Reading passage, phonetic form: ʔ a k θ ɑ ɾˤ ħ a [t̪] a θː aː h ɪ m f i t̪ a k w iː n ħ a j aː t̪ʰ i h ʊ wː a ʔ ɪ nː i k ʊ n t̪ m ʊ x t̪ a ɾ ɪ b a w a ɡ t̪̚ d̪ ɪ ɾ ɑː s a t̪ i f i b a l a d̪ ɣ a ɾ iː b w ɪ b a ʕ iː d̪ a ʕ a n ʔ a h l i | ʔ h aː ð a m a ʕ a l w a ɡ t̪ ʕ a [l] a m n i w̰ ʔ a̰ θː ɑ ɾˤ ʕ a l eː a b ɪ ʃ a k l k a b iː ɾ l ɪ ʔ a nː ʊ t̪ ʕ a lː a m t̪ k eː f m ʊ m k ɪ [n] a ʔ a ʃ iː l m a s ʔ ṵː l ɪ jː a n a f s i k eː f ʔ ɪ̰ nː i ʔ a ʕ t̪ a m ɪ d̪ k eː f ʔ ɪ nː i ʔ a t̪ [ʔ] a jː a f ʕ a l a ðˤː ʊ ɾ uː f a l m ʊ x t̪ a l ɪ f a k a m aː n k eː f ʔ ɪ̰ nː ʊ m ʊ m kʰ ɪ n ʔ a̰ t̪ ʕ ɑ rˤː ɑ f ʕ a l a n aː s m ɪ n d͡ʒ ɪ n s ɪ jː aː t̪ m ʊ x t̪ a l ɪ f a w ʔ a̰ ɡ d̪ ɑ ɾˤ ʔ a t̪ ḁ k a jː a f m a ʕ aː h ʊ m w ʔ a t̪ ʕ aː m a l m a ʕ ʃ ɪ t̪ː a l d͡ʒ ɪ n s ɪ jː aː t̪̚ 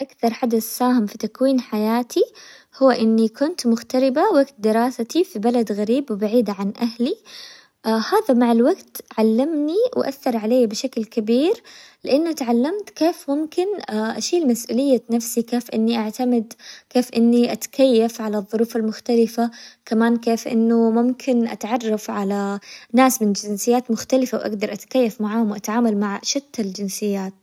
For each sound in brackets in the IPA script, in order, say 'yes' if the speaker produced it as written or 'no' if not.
no, no, yes, no

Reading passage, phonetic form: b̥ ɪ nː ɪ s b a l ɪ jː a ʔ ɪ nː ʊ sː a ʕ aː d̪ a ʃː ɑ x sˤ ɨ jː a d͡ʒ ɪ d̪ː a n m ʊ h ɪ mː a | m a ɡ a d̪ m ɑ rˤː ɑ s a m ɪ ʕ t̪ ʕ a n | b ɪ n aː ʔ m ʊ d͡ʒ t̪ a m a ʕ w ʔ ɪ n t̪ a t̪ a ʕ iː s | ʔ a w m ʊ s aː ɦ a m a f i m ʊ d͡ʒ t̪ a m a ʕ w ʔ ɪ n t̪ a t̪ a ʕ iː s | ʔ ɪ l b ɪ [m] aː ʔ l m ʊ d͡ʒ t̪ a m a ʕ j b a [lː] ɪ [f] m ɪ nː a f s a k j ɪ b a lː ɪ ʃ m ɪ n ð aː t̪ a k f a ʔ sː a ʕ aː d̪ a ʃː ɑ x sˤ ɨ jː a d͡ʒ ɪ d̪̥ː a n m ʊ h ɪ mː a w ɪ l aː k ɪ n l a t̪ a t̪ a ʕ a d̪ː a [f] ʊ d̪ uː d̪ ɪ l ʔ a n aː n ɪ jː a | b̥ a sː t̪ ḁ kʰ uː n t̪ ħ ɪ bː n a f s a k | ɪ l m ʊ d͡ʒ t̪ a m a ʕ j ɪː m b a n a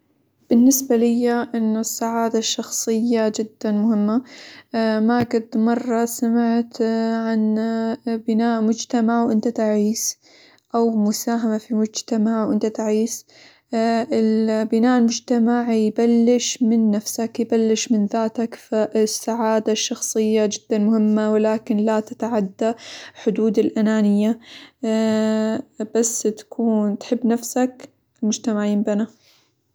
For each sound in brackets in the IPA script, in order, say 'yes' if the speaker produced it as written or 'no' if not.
no, yes, no, no

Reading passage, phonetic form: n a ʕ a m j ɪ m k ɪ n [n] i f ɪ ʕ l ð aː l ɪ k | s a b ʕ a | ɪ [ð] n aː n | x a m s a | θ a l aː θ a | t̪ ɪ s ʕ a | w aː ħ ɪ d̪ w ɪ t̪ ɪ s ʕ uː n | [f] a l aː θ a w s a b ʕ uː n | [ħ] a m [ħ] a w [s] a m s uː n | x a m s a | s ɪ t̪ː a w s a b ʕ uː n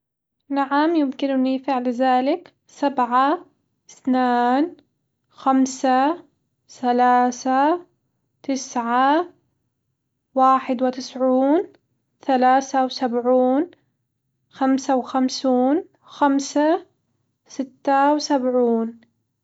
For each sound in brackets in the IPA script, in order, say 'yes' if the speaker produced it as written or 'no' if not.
yes, no, no, no, no, no

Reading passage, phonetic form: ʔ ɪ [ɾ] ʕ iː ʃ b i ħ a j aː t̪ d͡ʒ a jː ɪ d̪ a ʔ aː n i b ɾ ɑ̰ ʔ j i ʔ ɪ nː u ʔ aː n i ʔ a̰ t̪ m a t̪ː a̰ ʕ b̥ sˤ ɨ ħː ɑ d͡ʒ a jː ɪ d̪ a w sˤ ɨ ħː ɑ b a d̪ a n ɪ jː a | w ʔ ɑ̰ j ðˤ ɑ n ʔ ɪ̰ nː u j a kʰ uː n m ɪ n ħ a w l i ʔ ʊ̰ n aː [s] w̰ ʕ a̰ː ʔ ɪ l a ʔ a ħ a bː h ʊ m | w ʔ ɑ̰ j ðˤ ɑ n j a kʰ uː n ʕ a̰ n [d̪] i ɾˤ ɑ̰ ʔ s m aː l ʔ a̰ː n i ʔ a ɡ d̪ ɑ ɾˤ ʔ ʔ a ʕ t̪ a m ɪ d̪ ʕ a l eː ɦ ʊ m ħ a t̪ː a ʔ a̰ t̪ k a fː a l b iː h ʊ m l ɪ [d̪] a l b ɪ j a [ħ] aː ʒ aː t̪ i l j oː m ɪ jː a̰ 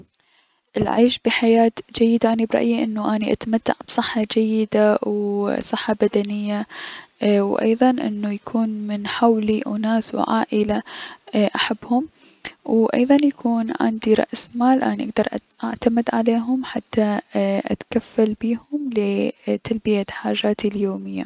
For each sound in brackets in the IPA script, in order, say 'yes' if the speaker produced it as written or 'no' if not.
no, yes, yes, no, yes

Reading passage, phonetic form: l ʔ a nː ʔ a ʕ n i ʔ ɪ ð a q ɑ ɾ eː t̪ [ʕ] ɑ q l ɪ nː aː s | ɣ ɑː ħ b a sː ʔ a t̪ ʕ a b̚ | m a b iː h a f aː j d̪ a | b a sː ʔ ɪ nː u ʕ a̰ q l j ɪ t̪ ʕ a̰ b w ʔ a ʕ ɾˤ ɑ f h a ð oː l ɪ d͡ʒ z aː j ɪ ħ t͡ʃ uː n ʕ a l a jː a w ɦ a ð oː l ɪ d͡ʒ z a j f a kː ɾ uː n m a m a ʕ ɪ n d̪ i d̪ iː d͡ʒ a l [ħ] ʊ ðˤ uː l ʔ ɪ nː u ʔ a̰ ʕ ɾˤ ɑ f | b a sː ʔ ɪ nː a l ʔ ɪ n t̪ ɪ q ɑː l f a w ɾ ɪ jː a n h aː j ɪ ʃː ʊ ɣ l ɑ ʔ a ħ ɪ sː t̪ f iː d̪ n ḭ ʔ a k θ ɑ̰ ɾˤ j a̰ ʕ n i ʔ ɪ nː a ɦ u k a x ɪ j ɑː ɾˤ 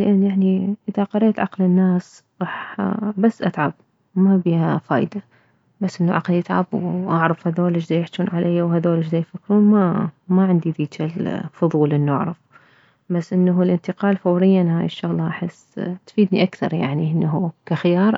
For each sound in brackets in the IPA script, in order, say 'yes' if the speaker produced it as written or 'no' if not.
yes, no

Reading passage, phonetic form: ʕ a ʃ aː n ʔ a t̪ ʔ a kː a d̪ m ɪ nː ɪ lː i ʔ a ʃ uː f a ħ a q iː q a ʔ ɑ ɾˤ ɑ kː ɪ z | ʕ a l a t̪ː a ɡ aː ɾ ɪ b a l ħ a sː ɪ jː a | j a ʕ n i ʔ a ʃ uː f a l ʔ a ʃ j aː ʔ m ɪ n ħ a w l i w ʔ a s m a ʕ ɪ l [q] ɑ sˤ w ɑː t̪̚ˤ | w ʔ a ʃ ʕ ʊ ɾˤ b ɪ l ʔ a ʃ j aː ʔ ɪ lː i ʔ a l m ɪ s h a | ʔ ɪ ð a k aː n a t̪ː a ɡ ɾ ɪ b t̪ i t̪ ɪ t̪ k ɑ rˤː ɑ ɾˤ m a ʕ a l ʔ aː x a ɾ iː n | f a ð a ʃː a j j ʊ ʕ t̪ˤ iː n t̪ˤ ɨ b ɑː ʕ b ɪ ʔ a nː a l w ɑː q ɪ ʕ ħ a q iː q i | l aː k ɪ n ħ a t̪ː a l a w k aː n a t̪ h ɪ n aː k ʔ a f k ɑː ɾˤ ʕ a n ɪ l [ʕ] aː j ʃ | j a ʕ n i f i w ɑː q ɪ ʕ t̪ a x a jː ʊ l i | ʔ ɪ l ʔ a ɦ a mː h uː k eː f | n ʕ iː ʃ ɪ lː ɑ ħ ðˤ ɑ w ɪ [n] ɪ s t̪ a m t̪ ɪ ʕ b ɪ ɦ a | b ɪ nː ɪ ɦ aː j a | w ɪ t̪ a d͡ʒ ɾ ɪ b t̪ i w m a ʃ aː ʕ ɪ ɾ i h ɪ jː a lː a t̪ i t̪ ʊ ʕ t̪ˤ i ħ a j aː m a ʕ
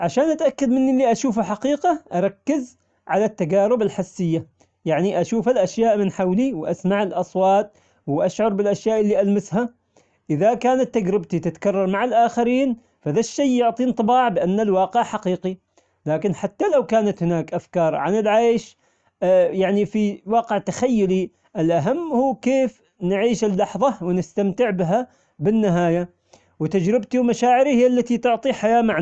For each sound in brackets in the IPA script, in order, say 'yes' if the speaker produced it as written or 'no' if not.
no, yes, yes

